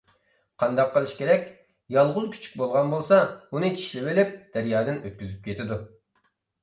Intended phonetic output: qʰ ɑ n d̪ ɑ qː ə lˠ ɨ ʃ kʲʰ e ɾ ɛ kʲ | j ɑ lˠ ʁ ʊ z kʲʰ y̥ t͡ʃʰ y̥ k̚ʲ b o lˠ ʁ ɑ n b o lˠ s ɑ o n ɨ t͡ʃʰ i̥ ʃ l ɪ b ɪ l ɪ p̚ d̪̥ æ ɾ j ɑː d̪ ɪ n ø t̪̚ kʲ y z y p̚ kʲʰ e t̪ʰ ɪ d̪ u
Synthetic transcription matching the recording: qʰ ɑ n d̪ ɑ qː ə lˠ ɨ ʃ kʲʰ e ɾ ɛ kʲ | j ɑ lˠ ʁ ʊ z kʲʰ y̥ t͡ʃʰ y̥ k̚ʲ b o lˠ ʁ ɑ n b o lˠ s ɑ u n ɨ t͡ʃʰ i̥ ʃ l ɪ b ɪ l ɪ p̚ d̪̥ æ ɾ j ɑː d̪ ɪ n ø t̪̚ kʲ y z y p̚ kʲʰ e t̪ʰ ɪ d̪ u